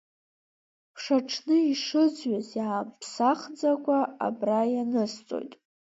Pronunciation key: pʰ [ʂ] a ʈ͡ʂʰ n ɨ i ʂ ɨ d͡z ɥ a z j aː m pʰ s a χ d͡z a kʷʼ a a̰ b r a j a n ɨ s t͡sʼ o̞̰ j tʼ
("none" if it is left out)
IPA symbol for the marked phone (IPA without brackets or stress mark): ʂ